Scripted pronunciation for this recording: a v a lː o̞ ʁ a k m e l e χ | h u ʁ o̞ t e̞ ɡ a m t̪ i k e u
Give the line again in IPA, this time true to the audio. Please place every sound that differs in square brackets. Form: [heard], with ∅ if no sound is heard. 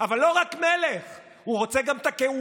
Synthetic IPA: a v a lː o̞ ʁ a k m e l e χ | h u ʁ o̞ [t͡s] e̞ ɡ a m t̪ [a] k e u

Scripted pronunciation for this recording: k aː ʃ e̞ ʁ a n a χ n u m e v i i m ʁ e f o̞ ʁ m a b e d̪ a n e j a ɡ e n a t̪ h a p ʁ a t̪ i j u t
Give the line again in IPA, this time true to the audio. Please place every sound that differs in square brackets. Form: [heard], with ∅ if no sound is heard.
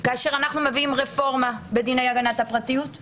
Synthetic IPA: k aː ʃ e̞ ʁ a n a χ n u m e v i i m ʁ e f o̞ ʁ m a b e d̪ [i] n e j a ɡ [a] n a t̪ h a p ʁ a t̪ i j u t

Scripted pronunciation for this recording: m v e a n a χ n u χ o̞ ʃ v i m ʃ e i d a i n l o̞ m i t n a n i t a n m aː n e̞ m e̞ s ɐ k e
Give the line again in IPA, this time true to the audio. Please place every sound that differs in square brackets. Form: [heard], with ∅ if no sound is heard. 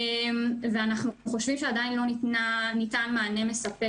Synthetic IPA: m v e a n a χ n u χ o̞ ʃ v i m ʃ e [a] d a i n l o̞ [n] i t n a n i t a n m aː n e̞ m e̞ s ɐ [p] e

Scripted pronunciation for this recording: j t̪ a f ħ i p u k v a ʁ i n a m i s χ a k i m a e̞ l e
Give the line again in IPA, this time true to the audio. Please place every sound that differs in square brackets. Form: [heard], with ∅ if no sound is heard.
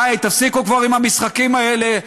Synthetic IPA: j t̪ a f [s] i [k] u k v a ʁ i [m] a m i s χ a k i m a e̞ l e

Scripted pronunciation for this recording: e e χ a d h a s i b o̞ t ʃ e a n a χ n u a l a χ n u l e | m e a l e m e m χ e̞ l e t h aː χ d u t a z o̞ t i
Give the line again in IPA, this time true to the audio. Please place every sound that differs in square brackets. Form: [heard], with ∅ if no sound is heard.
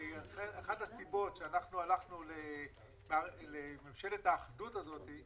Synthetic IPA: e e χ a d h a s i b o̞ t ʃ e a n a χ n u a l a χ n u l e | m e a l e m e m [ʃ] e̞ l e t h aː χ d u t a z o̞ t i

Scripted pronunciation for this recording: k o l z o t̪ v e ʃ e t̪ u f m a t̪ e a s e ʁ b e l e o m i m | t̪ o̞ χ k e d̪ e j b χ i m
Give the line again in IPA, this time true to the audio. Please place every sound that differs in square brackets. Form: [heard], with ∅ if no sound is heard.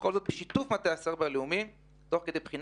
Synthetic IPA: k o l z o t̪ [b] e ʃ [i] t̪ u f m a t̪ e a s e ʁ b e l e [u] m i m | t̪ o̞ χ k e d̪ e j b χ i [n]

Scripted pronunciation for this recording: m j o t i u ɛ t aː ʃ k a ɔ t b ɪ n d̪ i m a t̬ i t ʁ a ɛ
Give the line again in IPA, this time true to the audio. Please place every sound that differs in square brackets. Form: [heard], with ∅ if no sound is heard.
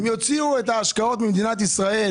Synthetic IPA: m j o [t͡s] i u ɛ t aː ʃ k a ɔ t [m] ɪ [m] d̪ i [n] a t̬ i [s] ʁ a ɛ

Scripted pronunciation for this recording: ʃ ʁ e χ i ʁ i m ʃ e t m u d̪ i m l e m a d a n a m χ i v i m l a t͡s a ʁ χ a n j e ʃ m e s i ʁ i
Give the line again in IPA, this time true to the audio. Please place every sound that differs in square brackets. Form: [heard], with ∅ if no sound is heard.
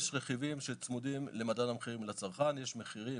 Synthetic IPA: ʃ ʁ e χ i [v] i m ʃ e [t͡s] m u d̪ i m l e m a d a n a m χ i [ʁ] i m l a t͡s a ʁ χ a n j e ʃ m e [χ] i ʁ i

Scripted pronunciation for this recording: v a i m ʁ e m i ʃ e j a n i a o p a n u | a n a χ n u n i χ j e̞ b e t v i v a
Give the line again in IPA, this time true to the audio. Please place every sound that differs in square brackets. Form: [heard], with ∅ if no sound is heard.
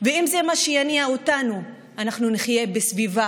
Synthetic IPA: v [e] i m [z] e m [a] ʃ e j a n i a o [t] a n u | a n a χ n u n i χ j e̞ b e [s] v i v a

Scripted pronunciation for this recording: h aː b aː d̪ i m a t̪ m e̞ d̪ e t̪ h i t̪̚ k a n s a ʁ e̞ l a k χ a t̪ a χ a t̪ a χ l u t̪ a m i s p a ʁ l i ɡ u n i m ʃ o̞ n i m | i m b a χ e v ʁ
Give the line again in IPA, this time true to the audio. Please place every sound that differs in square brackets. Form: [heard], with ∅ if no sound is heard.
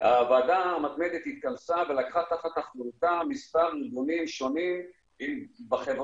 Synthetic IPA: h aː [v] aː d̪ [a] m a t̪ m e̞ d̪ e t̪ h i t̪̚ k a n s a [v] e̞ l a k χ a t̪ a χ a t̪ a χ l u t̪ a m i s p a ʁ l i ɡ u n i m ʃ o̞ n i m | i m b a χ e v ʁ

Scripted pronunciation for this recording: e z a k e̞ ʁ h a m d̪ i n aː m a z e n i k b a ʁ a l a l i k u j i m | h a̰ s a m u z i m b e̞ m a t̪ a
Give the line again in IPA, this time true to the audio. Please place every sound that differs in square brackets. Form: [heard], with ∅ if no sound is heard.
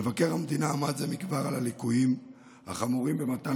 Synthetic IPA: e [v] a k e̞ ʁ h a m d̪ i n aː m a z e [m] i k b a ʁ a l a l i k u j i m | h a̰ [χ] a m u [ʁ] i m b e̞ m a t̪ a

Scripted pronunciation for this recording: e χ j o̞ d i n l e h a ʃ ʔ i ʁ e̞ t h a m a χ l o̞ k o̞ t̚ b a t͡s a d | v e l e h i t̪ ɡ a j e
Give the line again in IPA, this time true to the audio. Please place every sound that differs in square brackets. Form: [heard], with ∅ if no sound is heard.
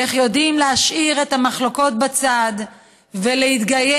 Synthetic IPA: e χ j o̞ d i [m] l e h a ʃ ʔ i ʁ e̞ t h a m a χ l o̞ k o̞ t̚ b a t͡s a d | v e l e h i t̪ ɡ a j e

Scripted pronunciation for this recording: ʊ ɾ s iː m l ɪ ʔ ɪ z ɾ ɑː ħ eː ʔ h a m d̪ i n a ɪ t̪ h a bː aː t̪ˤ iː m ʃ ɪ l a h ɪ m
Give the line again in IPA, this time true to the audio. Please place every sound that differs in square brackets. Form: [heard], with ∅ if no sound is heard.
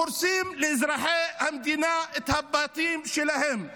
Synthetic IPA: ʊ ɾ s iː m l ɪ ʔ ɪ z ɾ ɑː ħ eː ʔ h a m d̪ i n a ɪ t̪ h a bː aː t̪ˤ iː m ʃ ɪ l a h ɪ m

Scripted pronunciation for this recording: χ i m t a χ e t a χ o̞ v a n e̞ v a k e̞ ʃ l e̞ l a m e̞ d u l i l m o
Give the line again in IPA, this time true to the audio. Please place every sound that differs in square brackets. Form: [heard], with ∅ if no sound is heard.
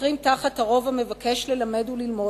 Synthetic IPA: [ʁ] i m t a χ [a] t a [ʁ] o̞ v a [m] e̞ v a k e̞ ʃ l e̞ l a m e̞ d u l i l m o

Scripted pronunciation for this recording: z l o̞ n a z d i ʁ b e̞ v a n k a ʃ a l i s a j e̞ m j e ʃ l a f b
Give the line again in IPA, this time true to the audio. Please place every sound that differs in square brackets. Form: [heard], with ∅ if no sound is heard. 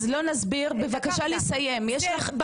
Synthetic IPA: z l o̞ n a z [b] i ʁ b e̞ v a [∅] k a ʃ a l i s a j e̞ m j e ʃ l a [χ] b

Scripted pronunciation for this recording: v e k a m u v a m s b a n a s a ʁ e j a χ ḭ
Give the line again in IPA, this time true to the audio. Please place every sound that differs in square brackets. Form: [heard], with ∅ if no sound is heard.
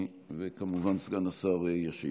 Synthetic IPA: v e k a m u v a [n] s [ɡ] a n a s a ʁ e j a [ʃ] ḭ

